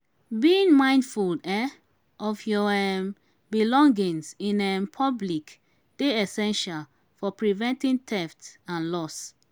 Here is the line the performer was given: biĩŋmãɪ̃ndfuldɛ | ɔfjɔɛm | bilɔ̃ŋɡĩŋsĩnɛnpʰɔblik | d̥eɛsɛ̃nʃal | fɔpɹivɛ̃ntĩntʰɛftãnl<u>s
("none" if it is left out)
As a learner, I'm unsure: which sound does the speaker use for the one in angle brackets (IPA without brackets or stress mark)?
ɔ